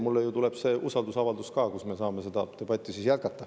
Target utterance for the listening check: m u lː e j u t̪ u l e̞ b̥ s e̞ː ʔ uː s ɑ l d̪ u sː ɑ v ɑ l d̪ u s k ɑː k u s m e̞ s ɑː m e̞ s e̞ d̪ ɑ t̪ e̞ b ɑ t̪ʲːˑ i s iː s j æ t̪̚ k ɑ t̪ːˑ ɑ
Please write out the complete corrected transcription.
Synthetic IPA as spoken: m u lː e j u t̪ u l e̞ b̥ s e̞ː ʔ u s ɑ l d̪ u s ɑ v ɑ l d̪ u s k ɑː k u s m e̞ s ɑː m e̞ s e̞ d̪ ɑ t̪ e̞ b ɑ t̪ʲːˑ i s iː s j æ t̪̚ k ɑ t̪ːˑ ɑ

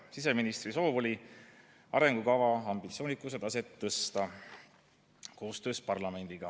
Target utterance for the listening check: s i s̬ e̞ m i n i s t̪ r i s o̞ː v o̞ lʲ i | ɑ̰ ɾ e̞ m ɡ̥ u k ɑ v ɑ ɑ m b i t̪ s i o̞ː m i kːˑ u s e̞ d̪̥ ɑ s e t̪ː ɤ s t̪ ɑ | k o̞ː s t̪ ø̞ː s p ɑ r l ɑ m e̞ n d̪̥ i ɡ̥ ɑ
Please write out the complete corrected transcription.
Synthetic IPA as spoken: s i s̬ e̞ m i n i s t̪ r i s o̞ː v o̞ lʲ i | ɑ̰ ɾ e̞ ŋ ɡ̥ u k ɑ v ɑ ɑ m b i t̪ s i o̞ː n i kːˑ u s e̞ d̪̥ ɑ s e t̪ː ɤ s t̪ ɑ | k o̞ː s t̪ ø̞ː s p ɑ r l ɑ m e̞ n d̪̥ i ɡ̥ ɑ

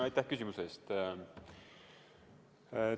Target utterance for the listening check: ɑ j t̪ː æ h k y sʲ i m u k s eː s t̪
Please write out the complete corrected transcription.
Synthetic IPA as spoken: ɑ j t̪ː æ h k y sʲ i m u s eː s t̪

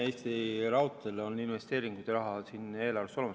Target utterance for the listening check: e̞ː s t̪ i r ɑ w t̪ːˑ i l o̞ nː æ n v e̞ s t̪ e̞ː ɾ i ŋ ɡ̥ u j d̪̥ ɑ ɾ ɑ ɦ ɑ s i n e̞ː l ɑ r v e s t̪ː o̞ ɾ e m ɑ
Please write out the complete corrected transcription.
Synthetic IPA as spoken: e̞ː s t̪ i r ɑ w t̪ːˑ e l o̞ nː i n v e̞ s t̪ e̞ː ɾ i ŋ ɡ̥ u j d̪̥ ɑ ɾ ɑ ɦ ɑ s i n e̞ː l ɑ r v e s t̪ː o̞ l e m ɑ

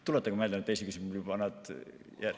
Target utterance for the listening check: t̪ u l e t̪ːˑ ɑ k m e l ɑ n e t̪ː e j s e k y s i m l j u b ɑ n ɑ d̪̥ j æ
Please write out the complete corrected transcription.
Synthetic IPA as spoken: t̪ u l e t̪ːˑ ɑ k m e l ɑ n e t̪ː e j s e k y s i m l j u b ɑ n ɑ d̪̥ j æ

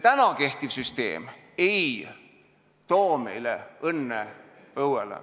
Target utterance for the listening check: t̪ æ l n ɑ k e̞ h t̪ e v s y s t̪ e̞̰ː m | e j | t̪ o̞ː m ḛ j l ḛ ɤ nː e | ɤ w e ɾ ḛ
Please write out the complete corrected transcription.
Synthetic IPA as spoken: t̪ æ n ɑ k e̞ h t̪ i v s y s t̪ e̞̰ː m | e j | t̪ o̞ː m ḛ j l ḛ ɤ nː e | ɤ w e l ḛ

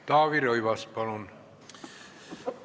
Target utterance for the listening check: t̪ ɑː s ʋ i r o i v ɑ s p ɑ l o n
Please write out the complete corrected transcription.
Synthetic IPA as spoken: t̪ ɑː ʋ i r o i ʋ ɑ s p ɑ l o n

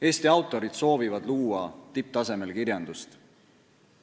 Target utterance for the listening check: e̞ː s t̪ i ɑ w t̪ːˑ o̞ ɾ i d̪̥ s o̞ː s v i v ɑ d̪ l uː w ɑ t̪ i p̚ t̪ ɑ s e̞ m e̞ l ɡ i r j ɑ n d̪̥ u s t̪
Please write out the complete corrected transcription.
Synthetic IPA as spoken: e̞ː s t̪ i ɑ w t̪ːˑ o̞ ɾ i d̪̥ s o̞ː v i v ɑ d̪ l uː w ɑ t̪ i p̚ t̪ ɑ s e̞ m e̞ l k i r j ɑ n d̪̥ u s t̪

